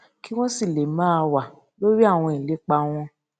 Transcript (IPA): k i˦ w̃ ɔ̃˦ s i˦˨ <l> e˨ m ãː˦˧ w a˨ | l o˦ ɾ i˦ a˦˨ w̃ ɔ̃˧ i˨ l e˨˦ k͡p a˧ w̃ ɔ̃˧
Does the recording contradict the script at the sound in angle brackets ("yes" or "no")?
no